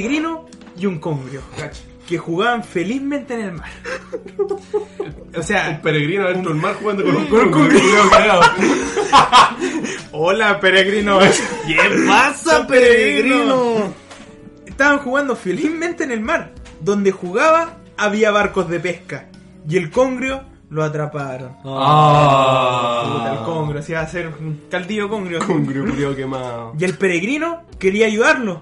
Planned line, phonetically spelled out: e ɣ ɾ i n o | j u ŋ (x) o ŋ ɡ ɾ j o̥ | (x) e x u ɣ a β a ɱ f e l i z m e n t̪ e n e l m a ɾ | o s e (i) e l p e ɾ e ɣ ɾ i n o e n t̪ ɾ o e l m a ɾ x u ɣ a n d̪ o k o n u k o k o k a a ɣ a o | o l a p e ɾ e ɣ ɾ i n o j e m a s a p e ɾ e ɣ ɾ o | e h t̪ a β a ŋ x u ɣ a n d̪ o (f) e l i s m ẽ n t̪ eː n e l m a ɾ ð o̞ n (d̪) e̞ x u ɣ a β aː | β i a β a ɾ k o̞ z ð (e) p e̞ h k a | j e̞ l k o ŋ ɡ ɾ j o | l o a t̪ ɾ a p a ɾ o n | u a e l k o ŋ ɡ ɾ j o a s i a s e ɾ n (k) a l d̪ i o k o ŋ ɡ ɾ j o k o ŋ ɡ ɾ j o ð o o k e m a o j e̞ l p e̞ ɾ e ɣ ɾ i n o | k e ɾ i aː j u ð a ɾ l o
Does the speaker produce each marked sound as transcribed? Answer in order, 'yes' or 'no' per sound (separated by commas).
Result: no, no, no, yes, yes, yes, yes